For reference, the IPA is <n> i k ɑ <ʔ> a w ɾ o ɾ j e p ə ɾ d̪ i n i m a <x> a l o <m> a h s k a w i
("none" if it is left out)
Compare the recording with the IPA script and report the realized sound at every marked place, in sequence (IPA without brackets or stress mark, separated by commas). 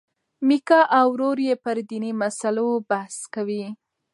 m, ʔ, s, b